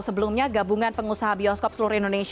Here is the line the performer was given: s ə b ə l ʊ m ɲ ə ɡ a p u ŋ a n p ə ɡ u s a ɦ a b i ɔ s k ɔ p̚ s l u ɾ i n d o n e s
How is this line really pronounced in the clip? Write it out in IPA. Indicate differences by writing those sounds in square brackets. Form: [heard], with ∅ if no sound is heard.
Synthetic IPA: s ə b ə l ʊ m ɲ [a] ɡ a [b] u ŋ a n p ə [ŋ] u s a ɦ a b i ɔ s k ɔ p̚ s l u ɾ i n d o n e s